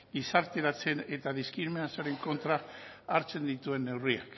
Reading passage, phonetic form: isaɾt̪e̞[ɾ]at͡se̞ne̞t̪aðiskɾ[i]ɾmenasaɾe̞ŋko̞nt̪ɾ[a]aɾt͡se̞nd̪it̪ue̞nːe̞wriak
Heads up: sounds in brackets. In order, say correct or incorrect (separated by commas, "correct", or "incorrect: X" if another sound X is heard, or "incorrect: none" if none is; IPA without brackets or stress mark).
correct, correct, correct